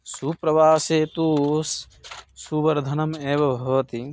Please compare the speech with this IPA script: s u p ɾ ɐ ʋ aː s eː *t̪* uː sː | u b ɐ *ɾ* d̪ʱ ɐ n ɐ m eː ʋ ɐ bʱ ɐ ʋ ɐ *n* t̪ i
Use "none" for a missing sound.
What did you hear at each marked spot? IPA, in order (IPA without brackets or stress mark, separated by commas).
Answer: t̪, ɾ, none